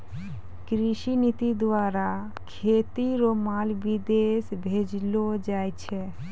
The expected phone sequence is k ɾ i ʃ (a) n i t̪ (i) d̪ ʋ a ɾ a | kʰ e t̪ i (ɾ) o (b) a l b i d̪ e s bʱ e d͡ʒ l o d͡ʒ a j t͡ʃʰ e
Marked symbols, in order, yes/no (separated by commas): no, yes, yes, no